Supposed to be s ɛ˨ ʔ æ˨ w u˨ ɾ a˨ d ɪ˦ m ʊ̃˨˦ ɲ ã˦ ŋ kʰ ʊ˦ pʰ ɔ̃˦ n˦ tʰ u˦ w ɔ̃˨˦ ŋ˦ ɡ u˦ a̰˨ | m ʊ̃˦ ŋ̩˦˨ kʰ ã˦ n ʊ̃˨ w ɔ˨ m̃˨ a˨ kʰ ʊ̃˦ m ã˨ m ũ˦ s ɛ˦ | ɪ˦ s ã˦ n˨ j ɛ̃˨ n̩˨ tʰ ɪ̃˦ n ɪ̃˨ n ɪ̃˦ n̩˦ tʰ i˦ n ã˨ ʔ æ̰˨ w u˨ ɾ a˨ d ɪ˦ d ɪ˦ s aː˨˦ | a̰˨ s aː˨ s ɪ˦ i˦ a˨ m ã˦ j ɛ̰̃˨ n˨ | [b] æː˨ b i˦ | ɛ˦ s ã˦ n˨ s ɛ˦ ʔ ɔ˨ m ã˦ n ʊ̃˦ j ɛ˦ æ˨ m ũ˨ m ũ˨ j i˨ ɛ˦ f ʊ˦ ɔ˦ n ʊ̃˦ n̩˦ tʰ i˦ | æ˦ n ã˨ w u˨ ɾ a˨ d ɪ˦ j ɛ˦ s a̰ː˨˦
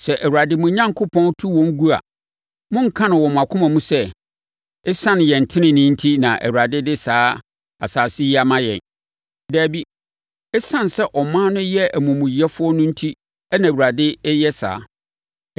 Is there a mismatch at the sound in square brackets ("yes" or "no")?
yes